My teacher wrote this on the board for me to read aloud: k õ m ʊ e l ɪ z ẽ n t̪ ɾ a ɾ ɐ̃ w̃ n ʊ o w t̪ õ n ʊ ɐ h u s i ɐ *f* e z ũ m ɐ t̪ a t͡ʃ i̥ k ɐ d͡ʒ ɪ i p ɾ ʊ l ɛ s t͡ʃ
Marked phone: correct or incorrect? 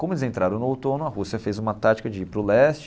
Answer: correct